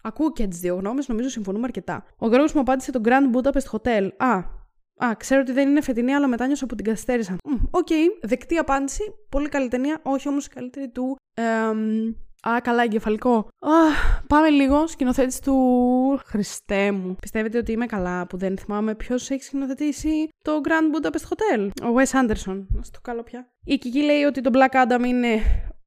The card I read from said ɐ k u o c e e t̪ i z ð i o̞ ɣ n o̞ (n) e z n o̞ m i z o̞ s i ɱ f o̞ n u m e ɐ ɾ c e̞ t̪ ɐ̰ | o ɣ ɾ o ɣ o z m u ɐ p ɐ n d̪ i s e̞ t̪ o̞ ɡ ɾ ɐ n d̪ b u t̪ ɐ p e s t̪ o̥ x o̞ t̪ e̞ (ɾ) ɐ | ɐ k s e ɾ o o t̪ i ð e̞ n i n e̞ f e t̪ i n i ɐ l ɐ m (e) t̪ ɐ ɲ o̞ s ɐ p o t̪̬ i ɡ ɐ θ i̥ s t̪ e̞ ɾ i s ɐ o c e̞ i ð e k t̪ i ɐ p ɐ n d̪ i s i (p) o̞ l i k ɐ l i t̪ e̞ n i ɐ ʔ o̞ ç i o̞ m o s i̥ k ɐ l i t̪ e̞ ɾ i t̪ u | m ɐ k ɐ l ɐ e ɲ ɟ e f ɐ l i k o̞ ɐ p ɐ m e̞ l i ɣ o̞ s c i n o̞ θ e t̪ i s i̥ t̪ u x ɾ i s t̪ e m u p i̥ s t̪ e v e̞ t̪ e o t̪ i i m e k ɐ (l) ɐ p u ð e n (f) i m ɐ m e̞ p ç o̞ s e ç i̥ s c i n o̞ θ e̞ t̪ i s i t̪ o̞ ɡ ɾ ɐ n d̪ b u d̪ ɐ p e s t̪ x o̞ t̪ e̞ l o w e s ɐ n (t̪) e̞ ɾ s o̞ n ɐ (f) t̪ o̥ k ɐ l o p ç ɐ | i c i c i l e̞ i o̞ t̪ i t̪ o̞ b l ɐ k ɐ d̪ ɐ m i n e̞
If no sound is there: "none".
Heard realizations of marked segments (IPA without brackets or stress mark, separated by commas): m, l, e, p, l, θ, d̪, s